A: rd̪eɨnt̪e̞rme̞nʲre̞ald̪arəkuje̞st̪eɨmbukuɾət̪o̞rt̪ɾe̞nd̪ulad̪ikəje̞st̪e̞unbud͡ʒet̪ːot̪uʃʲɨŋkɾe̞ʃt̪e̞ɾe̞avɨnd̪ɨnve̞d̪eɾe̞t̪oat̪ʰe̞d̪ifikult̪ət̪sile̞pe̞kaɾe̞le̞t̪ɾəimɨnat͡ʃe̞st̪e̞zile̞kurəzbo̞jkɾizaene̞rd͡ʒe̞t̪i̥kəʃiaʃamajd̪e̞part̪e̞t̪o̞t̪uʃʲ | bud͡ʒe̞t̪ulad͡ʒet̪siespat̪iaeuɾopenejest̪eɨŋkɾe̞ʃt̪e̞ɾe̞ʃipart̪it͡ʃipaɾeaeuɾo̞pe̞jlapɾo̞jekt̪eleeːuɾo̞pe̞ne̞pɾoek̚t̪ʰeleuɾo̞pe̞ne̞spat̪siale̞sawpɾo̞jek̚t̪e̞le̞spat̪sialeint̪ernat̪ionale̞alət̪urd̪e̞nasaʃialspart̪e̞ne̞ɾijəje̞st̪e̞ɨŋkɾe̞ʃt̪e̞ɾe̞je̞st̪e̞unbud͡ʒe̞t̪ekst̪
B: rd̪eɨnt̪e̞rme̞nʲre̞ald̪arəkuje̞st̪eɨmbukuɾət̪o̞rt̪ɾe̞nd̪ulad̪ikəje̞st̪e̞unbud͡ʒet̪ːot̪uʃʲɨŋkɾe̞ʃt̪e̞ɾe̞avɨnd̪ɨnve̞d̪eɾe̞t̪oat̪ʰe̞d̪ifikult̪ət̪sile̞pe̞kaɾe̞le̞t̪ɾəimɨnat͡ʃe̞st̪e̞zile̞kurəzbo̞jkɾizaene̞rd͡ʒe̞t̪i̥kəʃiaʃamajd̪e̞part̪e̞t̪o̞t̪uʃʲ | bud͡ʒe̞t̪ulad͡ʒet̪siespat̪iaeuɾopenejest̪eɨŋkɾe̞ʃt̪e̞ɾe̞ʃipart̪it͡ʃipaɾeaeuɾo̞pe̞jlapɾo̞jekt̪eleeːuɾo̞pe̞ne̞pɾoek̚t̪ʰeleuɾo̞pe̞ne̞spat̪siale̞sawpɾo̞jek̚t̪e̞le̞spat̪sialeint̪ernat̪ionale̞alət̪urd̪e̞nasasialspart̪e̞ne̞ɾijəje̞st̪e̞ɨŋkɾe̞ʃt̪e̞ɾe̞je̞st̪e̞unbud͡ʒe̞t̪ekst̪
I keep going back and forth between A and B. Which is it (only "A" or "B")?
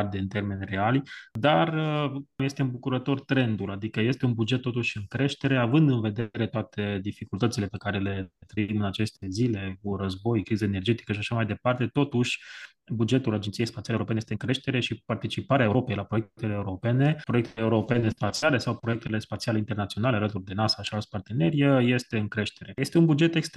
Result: A